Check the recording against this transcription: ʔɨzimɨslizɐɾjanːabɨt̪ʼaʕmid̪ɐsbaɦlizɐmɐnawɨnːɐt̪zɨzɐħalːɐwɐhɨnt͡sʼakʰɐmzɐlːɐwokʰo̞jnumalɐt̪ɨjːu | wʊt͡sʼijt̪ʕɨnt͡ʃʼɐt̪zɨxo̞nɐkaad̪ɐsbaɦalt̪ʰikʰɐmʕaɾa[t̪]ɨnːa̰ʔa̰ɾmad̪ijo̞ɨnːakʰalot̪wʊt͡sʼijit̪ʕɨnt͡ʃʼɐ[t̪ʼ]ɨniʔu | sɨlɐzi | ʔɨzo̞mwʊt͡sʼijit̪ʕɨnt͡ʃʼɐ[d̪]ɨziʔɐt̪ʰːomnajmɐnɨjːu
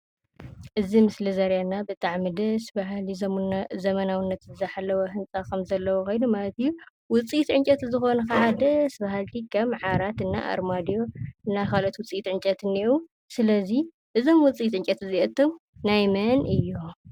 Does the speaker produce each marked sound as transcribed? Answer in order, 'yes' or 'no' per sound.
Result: yes, no, no

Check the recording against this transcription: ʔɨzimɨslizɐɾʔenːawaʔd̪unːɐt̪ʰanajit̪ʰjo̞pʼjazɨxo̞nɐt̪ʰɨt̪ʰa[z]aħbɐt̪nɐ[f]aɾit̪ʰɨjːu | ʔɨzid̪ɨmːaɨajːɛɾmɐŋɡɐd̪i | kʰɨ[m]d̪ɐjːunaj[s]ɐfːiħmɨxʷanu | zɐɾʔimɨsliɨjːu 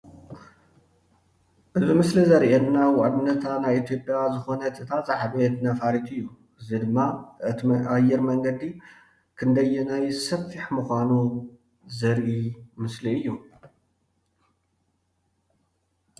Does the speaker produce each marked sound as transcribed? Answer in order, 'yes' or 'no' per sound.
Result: yes, yes, no, yes

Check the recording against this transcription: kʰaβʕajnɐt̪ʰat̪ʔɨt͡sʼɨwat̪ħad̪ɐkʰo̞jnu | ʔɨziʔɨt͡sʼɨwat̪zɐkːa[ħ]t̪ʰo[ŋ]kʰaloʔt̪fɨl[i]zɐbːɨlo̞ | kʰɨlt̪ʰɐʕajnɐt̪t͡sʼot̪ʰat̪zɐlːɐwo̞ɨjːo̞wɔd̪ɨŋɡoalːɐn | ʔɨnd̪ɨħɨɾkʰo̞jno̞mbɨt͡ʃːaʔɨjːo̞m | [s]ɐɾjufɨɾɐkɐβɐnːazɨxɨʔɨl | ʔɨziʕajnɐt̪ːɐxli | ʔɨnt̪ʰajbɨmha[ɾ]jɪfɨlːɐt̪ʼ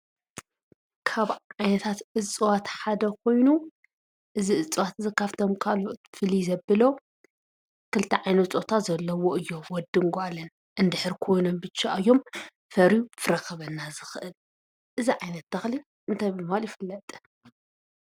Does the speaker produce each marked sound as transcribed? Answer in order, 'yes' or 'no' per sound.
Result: no, no, yes, no, no

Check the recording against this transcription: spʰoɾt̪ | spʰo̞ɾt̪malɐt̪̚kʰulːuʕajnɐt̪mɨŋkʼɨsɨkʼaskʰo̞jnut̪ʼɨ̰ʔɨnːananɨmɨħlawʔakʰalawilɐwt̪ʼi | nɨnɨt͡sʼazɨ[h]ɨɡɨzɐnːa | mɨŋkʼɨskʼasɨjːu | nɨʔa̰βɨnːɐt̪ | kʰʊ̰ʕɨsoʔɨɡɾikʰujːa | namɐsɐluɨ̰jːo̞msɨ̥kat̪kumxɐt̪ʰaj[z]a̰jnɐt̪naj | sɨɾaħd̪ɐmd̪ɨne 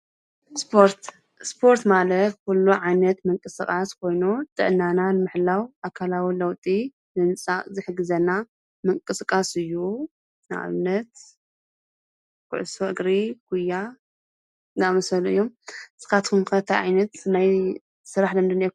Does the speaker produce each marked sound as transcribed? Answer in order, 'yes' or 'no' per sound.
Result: no, no

